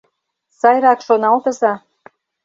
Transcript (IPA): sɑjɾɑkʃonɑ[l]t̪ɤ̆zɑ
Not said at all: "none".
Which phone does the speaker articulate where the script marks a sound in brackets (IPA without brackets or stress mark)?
l